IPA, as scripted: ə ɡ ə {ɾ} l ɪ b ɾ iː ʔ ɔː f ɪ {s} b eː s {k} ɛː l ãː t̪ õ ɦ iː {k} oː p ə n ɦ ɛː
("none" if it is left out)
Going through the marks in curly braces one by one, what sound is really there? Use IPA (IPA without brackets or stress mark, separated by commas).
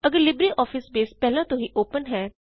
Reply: ɾ, s, p, ʔ